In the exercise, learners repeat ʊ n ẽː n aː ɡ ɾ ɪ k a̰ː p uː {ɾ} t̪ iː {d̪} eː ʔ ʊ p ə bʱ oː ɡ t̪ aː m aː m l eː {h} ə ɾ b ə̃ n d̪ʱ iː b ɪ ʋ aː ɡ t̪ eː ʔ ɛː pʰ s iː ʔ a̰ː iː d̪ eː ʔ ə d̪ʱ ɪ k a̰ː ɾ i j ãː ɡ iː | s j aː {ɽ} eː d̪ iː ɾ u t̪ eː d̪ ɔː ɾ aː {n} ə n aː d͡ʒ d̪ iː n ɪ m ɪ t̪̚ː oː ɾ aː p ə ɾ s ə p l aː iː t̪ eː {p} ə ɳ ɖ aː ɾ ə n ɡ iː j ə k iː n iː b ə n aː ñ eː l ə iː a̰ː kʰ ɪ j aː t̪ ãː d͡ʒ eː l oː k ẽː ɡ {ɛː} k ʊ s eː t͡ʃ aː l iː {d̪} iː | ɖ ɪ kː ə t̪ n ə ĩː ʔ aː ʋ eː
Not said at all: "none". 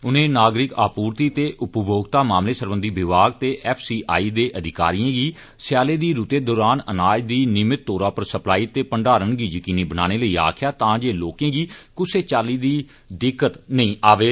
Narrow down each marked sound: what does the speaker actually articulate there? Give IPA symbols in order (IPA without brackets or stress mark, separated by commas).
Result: ɾ, t̪, s, l, n, p, iː, d̪